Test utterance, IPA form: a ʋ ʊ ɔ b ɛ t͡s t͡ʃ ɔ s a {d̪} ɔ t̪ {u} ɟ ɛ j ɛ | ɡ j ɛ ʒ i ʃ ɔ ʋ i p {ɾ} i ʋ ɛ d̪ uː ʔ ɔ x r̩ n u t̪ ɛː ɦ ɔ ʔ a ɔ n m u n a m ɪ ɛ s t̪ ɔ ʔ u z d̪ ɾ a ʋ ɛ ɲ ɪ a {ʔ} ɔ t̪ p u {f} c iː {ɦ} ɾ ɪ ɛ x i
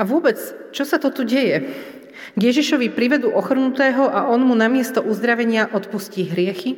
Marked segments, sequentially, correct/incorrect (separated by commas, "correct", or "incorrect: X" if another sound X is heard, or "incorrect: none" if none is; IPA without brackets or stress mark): incorrect: t̪, correct, correct, correct, incorrect: s, correct